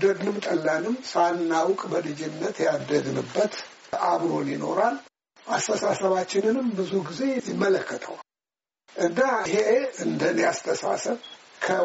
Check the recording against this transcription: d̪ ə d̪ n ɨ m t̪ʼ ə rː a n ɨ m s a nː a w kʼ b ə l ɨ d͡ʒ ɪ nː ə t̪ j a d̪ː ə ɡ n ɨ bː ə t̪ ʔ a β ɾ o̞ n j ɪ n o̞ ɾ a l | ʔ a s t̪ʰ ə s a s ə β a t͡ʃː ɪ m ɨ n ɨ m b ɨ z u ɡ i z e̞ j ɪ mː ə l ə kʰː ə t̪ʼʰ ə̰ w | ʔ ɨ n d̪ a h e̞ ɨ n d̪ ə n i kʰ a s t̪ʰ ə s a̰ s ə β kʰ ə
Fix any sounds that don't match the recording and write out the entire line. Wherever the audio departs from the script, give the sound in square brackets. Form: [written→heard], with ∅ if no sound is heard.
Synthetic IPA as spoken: d̪ ə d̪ n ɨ m t̪ʼ ə [rː→lː] a n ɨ m s a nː a w kʼ b ə l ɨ d͡ʒ ɪ nː ə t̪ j a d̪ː ə ɡ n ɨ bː ə t̪ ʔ a β ɾ o̞ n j ɪ n o̞ ɾ a l | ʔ a s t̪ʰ ə s a s ə β a t͡ʃː ɪ [m→n] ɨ n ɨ m b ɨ z u ɡ i z e̞ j ɪ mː ə l ə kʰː ə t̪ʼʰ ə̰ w | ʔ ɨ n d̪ a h e̞ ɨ n d̪ ə n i [kʰ→∅] a s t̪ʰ ə s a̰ s ə β kʰ ə